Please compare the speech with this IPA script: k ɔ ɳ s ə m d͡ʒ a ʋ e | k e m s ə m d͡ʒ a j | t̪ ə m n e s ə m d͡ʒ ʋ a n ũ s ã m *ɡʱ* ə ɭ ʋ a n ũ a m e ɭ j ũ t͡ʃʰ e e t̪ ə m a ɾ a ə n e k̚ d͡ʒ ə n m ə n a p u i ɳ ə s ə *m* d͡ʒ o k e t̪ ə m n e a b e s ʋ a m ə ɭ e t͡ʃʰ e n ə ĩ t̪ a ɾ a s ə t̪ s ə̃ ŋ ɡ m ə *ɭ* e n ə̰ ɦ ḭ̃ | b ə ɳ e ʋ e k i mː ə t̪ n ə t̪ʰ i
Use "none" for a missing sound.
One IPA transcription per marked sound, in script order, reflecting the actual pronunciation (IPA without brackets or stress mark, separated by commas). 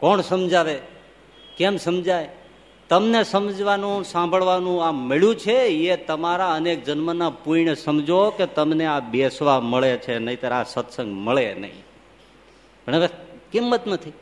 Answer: bʱ, m, ɭ